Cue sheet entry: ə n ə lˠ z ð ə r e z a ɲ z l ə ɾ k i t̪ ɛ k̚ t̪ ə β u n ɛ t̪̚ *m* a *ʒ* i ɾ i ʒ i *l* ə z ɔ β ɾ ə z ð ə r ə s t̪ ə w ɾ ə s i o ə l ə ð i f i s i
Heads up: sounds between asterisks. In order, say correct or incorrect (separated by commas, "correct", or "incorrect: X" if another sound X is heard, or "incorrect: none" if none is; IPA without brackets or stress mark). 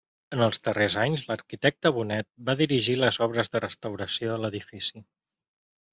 incorrect: b, incorrect: ð, correct